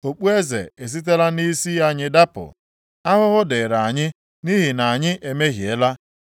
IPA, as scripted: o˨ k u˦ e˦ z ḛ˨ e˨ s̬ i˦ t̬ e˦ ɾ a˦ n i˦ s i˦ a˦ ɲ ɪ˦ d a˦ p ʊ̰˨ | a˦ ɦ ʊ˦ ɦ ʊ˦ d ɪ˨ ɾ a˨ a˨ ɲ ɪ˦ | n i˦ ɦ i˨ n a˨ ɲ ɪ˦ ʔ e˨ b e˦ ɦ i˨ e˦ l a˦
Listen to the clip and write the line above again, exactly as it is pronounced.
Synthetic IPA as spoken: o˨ k͡p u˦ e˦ z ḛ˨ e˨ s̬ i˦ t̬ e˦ l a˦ n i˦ s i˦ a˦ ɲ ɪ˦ d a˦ p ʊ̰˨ | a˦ ɦ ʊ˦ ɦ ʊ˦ d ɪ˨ ɾ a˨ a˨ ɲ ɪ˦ | n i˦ ɦ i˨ n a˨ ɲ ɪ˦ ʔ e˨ m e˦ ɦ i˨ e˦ l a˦